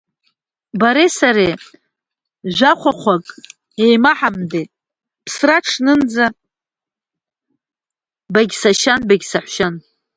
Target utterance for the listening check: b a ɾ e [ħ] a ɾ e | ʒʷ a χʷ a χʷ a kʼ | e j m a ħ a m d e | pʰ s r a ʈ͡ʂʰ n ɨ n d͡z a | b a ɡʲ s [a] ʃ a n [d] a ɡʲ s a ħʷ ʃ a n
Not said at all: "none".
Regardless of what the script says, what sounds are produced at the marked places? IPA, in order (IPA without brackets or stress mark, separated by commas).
s, a, b